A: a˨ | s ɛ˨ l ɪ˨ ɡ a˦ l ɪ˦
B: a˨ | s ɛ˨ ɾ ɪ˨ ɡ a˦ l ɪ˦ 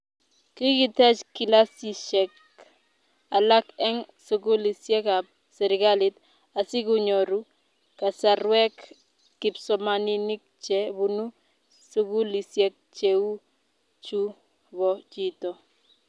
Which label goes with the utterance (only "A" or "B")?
B